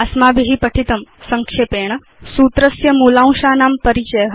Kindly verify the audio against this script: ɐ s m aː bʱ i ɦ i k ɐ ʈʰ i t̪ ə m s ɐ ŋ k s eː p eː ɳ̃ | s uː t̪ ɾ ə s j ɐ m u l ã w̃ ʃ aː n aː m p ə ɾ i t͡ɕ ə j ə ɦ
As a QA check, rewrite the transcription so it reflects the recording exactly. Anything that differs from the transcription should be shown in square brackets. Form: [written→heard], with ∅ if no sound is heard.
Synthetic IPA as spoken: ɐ s m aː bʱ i ɦ i [k→p] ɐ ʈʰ i t̪ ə m s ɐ ŋ k [s→ʂ] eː p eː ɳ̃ | s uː t̪ ɾ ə s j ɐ m u l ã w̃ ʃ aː n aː m p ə ɾ i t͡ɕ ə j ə ɦ